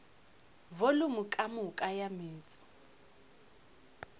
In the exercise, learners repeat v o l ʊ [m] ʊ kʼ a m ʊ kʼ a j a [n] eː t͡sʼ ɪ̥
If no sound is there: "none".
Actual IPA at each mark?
m, m

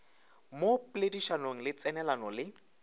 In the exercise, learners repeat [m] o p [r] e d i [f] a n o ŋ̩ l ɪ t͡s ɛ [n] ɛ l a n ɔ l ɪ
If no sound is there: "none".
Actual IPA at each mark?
m, l, ʃ, n

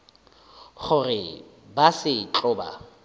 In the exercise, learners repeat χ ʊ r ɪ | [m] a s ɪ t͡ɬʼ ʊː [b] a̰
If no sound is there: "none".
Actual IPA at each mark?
b, b

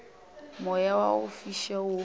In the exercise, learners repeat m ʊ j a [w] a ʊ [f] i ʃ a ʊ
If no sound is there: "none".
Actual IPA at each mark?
w, f

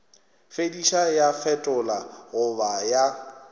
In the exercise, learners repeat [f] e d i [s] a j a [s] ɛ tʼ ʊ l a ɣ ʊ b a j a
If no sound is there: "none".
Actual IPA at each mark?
f, ʃ, f

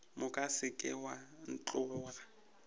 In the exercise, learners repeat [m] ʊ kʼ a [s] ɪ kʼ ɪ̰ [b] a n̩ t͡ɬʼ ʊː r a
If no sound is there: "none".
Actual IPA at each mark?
m, s, w

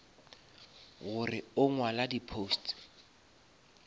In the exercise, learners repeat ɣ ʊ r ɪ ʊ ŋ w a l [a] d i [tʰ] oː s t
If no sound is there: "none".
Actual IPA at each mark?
a, pʰ

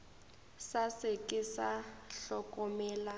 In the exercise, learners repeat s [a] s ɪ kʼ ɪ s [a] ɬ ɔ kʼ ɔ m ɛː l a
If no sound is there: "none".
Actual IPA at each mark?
a, a

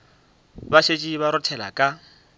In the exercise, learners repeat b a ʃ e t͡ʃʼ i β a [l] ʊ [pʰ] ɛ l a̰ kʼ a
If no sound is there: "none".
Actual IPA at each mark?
ɾ, tʰ

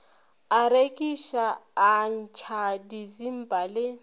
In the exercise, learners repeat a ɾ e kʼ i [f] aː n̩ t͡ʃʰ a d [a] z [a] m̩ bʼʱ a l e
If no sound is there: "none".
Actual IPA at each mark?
ʃ, i, i

